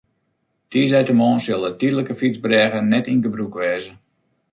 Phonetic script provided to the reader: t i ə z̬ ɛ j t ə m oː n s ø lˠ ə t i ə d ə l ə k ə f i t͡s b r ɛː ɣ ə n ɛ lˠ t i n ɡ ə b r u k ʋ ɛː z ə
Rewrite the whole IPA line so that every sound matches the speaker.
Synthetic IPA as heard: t i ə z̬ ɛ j t ə m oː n s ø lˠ ə t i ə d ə l ə k ə f i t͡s b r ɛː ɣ ə n ɛ t i n ɡ ə b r u k ʋ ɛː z ə